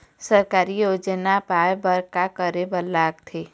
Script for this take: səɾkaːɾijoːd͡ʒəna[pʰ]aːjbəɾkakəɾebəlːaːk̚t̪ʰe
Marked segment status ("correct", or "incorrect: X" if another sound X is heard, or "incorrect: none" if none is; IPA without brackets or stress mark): incorrect: p